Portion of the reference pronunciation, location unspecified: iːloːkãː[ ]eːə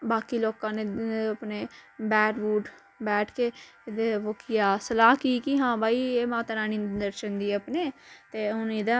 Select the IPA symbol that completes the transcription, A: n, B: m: A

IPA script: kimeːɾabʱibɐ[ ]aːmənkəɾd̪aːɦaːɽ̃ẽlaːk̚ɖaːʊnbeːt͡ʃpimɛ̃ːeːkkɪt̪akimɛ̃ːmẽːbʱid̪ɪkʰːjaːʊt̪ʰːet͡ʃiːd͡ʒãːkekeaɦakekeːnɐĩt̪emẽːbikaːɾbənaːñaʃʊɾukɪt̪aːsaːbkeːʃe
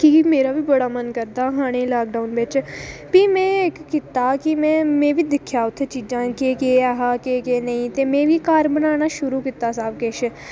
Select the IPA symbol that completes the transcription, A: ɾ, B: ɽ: B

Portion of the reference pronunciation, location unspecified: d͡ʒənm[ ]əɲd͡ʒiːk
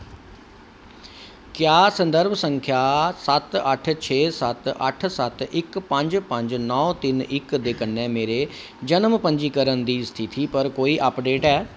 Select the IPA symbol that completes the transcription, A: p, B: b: A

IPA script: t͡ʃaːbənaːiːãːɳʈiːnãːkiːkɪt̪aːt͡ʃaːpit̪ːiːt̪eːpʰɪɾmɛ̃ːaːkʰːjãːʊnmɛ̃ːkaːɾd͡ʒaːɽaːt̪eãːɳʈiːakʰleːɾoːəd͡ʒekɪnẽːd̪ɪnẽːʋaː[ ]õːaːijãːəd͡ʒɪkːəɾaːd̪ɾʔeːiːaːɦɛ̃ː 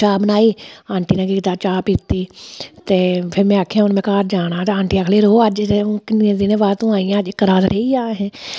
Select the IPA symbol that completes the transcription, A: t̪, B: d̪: A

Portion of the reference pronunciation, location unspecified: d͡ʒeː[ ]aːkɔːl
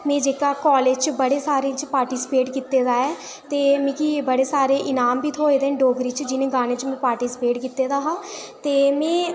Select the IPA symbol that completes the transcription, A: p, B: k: B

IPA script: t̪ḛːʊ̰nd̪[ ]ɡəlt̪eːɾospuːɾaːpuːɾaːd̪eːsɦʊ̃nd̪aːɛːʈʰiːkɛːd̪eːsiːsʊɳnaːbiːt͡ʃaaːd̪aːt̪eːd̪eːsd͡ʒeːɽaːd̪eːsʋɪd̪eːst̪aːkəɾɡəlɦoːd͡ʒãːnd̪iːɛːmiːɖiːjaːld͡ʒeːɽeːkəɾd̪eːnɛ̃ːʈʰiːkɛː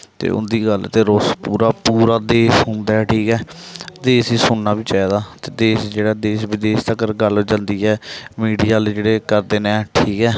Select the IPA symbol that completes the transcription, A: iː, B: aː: A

